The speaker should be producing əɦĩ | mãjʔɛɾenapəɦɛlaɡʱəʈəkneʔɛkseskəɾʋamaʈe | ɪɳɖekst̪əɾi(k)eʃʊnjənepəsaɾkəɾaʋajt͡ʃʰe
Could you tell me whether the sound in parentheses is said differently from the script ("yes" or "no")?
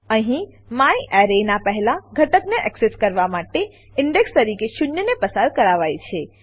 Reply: no